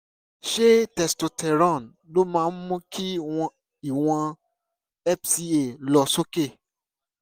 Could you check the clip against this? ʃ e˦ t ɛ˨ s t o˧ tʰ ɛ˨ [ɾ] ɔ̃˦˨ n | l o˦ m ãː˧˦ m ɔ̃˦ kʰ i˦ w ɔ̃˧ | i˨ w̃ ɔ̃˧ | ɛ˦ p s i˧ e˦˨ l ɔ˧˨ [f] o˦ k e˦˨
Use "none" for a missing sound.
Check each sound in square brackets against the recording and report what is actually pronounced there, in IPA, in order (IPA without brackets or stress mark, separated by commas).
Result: ɾ, s